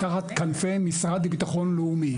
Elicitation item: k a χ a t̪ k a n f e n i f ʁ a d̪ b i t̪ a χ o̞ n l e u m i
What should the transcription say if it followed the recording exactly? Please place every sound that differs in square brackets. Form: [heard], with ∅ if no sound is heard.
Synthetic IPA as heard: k a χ a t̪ k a n f e [m] i [s] ʁ a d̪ b i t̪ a χ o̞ n l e u m i